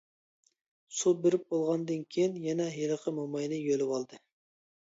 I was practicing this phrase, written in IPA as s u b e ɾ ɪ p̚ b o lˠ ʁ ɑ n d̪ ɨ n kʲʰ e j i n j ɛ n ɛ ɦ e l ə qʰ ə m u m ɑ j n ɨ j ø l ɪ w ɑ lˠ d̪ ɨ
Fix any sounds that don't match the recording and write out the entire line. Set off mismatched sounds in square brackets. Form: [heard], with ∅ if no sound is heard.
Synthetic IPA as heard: s u b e ɾ ɪ p̚ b o lˠ ʁ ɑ n d̪ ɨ n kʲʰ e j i n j ɛ n ɛ ɦ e l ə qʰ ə m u m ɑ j n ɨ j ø l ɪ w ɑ lˠ d̪ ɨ